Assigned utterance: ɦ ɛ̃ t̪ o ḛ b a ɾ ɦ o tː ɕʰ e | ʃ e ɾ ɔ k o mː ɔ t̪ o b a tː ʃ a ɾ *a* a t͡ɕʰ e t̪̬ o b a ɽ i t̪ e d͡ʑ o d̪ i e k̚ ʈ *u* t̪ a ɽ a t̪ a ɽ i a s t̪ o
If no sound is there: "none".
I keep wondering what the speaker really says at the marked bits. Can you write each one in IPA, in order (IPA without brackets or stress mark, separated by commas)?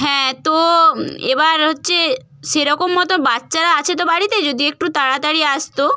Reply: a, u